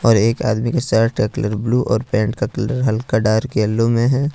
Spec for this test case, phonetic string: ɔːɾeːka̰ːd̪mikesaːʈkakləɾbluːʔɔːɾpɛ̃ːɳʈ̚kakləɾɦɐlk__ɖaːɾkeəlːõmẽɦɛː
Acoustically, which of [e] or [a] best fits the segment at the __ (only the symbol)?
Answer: a